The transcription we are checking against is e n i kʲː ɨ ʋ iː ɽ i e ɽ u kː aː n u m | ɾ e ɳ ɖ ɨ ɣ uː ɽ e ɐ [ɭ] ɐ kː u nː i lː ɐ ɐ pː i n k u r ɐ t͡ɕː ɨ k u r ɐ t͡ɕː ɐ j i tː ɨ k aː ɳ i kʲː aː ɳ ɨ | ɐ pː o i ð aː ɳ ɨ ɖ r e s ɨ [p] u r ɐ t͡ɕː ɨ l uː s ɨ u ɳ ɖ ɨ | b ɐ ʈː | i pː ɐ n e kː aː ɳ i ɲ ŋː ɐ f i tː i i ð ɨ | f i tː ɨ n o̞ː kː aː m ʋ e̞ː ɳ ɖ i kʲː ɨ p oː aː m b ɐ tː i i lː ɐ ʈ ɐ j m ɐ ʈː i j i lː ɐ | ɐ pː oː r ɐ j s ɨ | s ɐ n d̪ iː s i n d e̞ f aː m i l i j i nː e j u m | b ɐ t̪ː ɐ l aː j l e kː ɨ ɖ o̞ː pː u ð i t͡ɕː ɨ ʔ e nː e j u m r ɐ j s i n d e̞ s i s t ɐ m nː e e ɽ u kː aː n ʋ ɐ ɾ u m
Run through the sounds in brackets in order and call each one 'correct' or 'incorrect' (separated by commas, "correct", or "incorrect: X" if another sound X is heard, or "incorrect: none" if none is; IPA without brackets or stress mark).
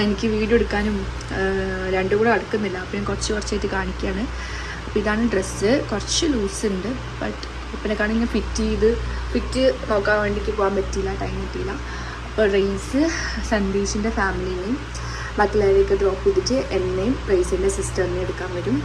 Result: incorrect: ɽ, incorrect: k